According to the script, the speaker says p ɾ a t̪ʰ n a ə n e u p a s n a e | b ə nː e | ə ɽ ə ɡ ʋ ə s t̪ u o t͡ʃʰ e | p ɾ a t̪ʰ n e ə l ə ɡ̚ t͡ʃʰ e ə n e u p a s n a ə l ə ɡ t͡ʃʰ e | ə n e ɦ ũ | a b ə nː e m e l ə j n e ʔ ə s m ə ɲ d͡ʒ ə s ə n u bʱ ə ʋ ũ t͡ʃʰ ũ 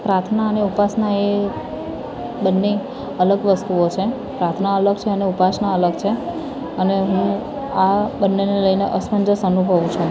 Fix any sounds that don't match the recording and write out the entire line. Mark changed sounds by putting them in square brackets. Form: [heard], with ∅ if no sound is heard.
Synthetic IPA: p ɾ a t̪ʰ n a ə n e u p a s n a e | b ə nː e | ə [l] ə ɡ ʋ ə s t̪ u o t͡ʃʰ e | p ɾ a t̪ʰ n [a] ə l ə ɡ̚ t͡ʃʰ e ə n e u p a s n a ə l ə ɡ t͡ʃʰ e | ə n e ɦ ũ | a b ə nː e [n] e l ə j n e ʔ ə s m ə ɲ d͡ʒ ə s ə n u bʱ ə ʋ ũ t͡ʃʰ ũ